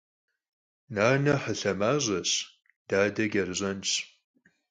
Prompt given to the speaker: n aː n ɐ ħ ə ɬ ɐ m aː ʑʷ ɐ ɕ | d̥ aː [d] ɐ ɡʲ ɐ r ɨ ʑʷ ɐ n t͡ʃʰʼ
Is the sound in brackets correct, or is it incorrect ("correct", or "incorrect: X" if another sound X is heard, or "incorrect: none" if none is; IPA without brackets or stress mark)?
correct